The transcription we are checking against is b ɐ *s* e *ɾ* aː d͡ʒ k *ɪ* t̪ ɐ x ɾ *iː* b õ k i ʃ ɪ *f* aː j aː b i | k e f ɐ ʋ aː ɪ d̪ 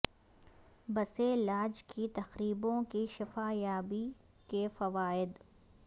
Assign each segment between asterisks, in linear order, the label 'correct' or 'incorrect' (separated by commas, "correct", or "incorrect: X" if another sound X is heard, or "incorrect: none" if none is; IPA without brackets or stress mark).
correct, incorrect: l, incorrect: i, correct, correct